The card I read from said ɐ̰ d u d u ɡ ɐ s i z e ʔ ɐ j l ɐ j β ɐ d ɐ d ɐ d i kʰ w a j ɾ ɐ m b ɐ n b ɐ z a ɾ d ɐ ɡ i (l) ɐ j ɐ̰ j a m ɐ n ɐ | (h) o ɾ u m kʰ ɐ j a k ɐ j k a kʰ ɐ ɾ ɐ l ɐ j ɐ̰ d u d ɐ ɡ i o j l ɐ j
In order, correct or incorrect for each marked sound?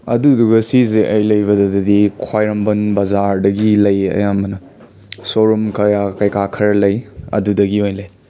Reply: correct, incorrect: s

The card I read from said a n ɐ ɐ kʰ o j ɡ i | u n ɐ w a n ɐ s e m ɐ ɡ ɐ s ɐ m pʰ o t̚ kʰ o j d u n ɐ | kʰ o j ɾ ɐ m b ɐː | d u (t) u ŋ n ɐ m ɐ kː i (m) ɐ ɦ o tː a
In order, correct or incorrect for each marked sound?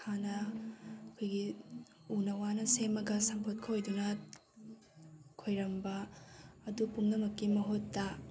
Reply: incorrect: p, correct

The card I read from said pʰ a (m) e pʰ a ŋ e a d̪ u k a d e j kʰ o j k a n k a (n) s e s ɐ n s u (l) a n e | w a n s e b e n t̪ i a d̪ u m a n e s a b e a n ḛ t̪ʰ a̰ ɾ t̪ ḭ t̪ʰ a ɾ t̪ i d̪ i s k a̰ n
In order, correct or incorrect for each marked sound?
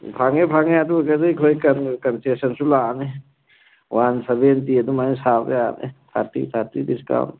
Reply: incorrect: ŋ, correct, correct

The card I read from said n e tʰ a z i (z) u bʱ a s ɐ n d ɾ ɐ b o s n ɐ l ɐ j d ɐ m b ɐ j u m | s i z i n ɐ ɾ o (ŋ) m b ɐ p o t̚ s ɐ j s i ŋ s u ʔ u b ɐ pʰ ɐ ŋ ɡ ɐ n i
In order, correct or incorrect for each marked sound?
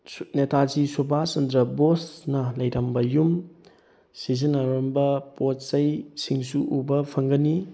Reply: incorrect: s, incorrect: none

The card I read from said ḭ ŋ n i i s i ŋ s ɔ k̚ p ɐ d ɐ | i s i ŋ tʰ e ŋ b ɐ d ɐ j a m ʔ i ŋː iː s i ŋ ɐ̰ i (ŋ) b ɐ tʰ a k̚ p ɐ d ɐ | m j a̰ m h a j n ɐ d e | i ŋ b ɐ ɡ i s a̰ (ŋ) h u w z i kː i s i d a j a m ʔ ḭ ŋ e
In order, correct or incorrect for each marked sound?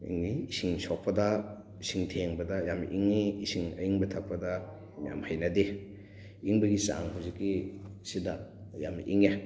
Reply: correct, correct

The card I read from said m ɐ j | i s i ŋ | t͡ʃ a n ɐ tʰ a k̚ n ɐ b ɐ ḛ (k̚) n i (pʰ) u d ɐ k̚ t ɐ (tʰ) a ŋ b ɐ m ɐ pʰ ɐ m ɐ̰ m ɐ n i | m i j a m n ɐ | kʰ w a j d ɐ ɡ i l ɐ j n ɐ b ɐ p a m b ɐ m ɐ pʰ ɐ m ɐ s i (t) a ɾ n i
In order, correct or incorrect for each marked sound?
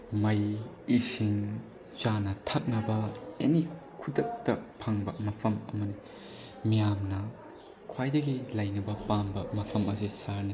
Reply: incorrect: none, incorrect: kʰ, incorrect: pʰ, incorrect: s

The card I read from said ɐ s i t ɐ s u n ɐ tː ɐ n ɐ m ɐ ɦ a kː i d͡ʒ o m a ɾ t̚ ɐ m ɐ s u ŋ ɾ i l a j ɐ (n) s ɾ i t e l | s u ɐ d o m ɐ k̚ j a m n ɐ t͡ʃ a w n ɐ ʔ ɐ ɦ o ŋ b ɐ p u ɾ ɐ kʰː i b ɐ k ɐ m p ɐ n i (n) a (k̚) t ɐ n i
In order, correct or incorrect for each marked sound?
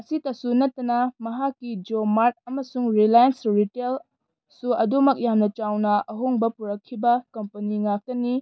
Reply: correct, incorrect: ŋ, correct

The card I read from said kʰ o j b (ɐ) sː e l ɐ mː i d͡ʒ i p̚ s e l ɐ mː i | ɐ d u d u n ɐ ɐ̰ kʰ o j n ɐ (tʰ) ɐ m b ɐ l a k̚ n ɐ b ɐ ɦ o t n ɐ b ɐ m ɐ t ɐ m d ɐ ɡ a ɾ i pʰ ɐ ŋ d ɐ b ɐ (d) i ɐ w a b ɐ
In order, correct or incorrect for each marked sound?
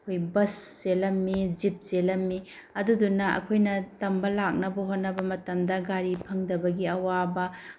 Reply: correct, incorrect: t, incorrect: ɡ

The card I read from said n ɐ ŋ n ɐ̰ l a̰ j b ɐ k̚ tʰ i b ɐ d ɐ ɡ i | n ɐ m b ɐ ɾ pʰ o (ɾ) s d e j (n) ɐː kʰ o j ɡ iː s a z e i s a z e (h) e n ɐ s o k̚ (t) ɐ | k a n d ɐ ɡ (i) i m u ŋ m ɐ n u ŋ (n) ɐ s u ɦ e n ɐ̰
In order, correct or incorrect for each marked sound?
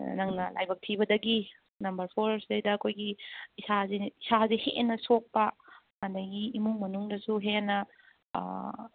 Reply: correct, incorrect: d, correct, incorrect: p, correct, incorrect: d

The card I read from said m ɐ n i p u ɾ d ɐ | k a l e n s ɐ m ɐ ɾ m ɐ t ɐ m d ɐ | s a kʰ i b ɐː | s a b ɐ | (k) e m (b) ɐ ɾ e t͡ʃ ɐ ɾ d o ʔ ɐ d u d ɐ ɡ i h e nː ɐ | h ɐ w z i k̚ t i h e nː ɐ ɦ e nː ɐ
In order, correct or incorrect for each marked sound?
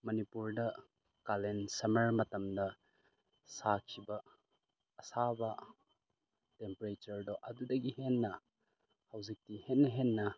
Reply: incorrect: t, incorrect: p

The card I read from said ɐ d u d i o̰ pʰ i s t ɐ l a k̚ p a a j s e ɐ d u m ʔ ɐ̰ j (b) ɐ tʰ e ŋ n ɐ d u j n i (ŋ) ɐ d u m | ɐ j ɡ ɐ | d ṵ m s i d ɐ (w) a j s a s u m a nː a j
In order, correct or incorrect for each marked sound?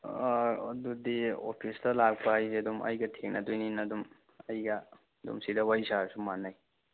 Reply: incorrect: ɡ, incorrect: n, correct

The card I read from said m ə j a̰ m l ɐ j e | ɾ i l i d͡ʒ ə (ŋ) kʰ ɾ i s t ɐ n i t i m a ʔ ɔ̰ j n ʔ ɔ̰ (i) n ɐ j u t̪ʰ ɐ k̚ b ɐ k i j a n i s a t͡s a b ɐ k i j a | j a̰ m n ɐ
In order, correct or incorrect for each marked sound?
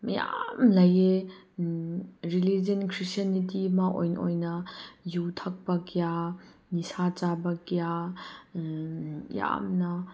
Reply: incorrect: n, incorrect: j

